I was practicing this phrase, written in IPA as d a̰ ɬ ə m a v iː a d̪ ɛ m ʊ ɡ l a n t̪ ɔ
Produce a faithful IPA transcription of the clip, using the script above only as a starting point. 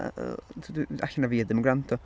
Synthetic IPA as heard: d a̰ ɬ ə n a v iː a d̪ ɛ m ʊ ɡ ɾ a n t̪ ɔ